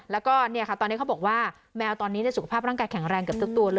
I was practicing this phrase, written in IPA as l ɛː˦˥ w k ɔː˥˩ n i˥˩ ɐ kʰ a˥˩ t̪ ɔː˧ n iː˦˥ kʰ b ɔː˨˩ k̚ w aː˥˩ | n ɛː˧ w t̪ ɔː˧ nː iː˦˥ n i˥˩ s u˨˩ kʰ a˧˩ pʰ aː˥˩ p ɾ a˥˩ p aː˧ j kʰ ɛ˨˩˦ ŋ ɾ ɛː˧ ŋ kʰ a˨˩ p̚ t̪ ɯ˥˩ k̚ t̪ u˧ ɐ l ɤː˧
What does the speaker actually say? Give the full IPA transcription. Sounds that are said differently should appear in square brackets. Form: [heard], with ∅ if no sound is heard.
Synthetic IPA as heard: l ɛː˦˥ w k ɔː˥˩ n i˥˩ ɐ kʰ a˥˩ t̪ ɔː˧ n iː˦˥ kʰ b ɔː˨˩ k̚ w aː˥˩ | [m] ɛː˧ w t̪ ɔː˧ nː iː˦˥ n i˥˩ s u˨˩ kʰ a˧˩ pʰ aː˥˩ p ɾ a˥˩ [k] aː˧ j kʰ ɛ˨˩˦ ŋ ɾ ɛː˧ ŋ [k] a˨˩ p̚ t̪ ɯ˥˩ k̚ t̪ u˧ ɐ l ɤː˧